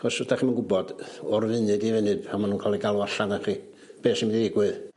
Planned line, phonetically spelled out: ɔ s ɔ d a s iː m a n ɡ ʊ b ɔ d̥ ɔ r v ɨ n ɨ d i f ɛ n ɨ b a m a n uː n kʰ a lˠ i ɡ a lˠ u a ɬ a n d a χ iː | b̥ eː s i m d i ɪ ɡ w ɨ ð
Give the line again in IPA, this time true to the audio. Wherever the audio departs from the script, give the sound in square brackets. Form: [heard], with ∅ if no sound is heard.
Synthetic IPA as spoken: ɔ s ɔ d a [χ] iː m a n ɡ ʊ b ɔ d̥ ɔ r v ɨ n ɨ d i [v] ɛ n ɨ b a m a n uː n kʰ a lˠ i ɡ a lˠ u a ɬ a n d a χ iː | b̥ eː s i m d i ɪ ɡ w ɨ ð